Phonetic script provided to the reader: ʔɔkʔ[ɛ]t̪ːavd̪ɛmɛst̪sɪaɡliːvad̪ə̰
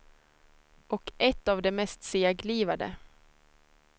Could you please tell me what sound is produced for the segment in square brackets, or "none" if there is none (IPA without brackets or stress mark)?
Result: ɛ